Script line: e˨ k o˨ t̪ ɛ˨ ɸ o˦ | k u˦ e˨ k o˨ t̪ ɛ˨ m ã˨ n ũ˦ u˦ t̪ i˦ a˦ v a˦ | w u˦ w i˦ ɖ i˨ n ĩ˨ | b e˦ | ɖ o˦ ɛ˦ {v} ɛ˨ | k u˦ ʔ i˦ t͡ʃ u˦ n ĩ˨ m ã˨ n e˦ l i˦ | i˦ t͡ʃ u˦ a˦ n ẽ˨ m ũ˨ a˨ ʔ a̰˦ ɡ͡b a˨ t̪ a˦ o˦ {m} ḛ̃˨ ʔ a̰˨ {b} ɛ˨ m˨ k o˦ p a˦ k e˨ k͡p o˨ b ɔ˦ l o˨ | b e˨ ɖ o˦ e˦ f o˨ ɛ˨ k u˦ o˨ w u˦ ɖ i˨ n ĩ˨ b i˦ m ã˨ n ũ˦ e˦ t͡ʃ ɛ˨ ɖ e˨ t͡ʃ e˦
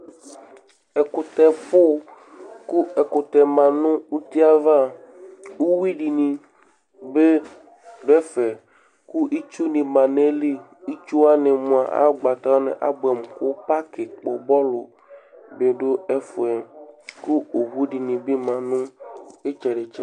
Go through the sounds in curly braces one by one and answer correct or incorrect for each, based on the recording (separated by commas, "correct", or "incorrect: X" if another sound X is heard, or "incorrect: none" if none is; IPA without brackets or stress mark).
incorrect: f, incorrect: n, correct